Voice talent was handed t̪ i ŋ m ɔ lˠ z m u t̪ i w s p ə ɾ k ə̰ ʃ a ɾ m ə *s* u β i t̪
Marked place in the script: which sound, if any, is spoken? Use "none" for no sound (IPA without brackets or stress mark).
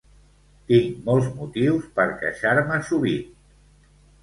s